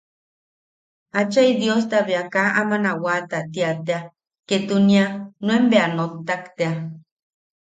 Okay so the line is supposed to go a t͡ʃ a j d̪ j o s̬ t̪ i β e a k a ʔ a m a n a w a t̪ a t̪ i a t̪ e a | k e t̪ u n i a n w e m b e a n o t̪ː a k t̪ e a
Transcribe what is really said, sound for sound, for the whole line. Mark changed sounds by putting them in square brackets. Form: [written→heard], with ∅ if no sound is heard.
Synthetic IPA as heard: a t͡ʃ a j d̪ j o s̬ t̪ [i→a] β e a k a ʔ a m a n a w a t̪ a t̪ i a t̪ e a | k e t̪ u n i a n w e m b e a n o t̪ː a k t̪ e a